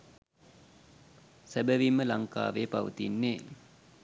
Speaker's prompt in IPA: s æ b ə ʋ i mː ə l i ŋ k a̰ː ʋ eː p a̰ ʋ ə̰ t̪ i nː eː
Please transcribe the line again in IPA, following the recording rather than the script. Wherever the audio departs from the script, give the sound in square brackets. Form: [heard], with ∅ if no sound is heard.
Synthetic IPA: s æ b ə ʋ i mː ə l [a] ŋ k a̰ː ʋ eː p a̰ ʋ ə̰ t̪ i nː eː